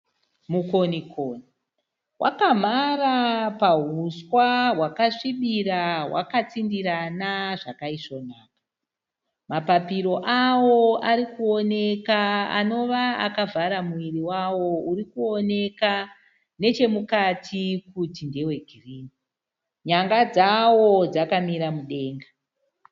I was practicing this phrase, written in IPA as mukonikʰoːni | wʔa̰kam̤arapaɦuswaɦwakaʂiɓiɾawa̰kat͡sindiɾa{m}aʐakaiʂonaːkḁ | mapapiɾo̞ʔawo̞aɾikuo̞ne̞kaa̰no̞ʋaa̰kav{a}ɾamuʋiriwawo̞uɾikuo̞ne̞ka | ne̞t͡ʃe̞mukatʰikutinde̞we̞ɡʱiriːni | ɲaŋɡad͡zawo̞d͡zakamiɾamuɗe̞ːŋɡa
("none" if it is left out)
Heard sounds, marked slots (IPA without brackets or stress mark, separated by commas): n, a